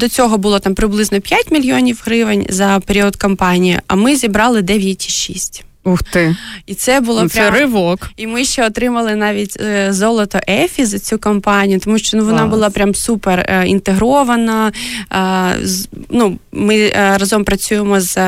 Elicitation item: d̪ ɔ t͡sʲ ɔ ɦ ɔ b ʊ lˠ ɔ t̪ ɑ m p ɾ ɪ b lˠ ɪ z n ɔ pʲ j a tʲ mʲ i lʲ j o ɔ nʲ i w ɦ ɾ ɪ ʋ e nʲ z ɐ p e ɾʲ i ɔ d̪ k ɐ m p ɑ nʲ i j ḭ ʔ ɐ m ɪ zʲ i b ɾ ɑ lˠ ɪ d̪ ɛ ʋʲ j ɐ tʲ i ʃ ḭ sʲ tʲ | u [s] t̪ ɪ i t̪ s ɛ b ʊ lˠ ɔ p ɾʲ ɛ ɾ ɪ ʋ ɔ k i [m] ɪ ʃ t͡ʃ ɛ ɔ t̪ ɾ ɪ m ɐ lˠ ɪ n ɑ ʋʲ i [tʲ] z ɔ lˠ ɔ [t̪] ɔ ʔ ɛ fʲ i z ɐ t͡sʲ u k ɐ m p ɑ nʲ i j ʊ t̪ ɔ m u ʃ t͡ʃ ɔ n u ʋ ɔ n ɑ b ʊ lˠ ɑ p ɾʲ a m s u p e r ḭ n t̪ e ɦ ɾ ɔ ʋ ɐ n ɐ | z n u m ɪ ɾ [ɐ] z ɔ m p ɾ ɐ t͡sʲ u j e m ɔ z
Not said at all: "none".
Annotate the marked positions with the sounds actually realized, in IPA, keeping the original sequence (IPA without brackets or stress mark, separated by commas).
x, m, tʲ, t̪, ɐ